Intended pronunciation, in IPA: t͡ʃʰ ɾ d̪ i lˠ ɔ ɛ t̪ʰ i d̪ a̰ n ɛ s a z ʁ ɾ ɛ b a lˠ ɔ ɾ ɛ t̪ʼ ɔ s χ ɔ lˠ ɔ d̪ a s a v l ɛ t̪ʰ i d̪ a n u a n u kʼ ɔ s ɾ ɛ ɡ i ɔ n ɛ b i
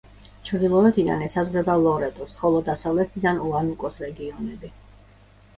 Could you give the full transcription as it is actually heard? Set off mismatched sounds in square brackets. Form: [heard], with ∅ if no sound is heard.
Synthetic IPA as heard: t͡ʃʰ ɾ d̪ i lˠ ɔ ɛ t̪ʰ i d̪ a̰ n ɛ s a z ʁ ɾ ɛ b a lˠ ɔ ɾ ɛ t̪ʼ ɔ s χ ɔ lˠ ɔ d̪ a s a v l ɛ t̪ʰ i d̪ a n u a n u kʼ ɔ s ɾ ɛ ɡ i ɔ n ɛ b i